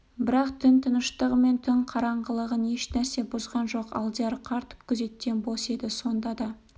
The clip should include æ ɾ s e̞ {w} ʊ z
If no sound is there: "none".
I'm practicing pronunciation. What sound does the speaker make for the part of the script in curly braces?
b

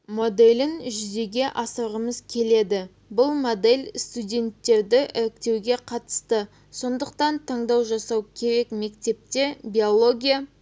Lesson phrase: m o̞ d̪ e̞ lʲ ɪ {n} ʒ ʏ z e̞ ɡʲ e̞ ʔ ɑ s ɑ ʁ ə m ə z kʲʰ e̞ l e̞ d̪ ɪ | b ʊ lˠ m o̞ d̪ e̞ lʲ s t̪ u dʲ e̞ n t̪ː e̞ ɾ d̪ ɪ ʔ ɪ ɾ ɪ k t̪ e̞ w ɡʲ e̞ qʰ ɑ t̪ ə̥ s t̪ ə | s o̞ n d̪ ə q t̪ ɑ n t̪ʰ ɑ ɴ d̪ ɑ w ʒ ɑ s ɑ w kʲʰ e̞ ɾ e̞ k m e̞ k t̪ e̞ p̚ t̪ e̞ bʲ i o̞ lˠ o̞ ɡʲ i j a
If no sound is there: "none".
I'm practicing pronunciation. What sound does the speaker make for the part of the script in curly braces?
n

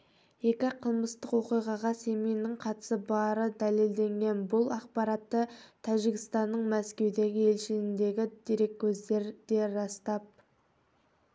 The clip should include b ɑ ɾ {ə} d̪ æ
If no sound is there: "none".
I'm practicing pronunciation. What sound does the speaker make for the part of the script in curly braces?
ə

